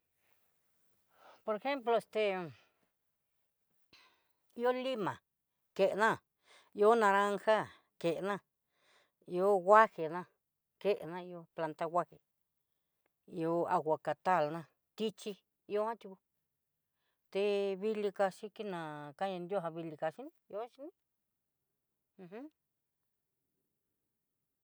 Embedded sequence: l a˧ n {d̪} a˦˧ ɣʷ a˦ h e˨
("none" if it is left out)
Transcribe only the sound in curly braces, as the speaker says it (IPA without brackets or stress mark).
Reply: t̪